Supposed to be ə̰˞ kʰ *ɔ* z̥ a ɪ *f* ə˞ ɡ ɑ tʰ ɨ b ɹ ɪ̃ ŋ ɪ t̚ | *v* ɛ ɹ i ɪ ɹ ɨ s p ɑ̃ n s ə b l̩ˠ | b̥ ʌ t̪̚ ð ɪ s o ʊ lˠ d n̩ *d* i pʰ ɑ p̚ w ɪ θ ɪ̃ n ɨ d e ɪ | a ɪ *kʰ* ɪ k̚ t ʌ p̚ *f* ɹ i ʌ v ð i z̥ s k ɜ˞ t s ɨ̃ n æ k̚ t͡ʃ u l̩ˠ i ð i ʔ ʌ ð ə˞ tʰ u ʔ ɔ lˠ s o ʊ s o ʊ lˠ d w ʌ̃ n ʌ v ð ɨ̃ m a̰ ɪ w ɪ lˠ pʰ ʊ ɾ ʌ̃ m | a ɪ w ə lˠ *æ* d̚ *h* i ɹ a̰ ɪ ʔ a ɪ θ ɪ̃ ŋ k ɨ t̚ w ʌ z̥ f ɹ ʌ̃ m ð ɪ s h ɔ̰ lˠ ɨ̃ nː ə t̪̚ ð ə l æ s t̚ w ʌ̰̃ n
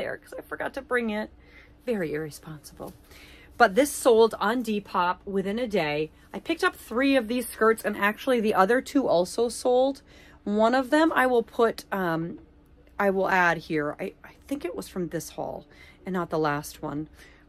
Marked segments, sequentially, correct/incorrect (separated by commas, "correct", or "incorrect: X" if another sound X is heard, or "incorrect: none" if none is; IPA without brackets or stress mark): incorrect: ʌ, correct, correct, correct, incorrect: pʰ, incorrect: θ, correct, correct